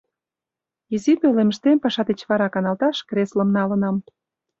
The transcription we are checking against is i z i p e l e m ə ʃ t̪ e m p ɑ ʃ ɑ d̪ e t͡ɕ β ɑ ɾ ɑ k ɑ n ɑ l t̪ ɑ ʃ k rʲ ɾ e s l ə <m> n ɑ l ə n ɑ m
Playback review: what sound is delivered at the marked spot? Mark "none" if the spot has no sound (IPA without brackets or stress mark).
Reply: m